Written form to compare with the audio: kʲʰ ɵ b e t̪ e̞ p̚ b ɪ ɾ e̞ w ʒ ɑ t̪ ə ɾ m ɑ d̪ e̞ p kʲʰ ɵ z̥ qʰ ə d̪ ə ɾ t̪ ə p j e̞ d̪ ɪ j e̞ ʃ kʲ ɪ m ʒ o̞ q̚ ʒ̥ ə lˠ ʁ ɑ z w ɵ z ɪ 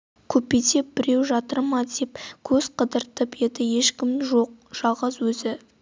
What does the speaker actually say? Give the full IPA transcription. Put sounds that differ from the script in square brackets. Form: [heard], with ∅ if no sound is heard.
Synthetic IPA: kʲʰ ɵ [p] e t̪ e̞ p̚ b ɪ ɾ e̞ w ʒ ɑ t̪ ə ɾ m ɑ d̪ e̞ p kʲʰ ɵ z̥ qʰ ə d̪ ə ɾ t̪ ə p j e̞ d̪ ɪ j e̞ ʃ kʲ ɪ m ʒ o̞ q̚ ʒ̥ [ɑ] lˠ ʁ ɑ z w ɵ z ɪ